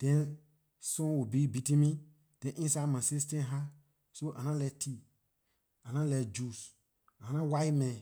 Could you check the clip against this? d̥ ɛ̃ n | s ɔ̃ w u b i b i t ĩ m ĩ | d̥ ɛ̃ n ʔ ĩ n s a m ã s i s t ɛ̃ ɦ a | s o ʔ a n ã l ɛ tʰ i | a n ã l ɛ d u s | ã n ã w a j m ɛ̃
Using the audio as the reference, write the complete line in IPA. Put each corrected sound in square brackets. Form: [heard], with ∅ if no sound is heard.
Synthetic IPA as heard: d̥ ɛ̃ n | s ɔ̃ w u b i b i t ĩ m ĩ | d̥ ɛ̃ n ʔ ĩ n s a m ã s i s t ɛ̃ ɦ a | s o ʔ a n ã l ɛ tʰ i | a n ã l ɛ [d͡ʒ] u s | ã n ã w a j m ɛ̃

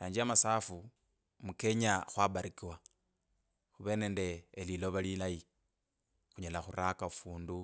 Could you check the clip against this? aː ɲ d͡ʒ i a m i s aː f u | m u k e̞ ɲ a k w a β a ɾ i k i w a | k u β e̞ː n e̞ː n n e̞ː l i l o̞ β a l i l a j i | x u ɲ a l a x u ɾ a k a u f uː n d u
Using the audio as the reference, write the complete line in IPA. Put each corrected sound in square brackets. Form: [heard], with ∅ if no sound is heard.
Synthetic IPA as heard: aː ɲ d͡ʒ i a m [a] s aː f u | m u k e̞ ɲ a [x] w a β a ɾ i k i w a | [x] u β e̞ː n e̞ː n [d] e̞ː l i l o̞ β a l i l a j i | x u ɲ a l a x u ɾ a k a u f uː n d u

